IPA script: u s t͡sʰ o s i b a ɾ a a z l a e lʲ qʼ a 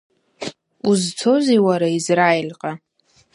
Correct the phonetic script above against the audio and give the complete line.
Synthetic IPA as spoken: u z t͡sʰ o z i w a ɾ a i z r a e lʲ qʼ a